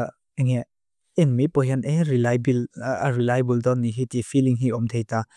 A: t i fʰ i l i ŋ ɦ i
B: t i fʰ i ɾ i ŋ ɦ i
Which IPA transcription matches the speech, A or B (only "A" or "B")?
A